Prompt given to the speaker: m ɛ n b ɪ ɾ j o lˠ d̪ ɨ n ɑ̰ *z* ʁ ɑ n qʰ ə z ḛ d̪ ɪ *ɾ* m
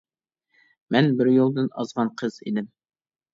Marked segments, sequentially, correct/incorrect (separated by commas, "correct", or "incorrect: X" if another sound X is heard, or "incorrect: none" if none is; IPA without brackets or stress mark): correct, incorrect: none